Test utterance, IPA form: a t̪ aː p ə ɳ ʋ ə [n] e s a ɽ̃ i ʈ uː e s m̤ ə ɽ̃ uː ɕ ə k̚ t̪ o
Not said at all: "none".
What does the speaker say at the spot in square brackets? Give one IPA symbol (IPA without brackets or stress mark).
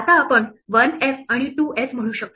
n